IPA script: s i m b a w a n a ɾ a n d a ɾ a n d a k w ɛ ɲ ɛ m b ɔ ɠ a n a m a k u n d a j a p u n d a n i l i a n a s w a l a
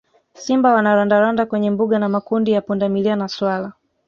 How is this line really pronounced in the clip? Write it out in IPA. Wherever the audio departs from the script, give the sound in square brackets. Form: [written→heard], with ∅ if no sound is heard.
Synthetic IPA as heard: s i m b a w a n a ɾ a n d a ɾ a n d a k w ɛ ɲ ɛ m b [ɔ→u] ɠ a n a m a k u n d [a→i] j a p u n d a [n→m] i l i a n a s w a l a